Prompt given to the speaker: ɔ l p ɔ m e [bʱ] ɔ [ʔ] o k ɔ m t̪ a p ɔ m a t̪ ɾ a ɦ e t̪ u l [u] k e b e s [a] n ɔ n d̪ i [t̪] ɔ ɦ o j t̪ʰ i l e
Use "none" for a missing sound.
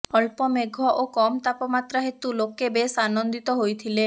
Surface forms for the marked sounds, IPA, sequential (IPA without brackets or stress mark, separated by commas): ɡʱ, ʔ, o, a, t̪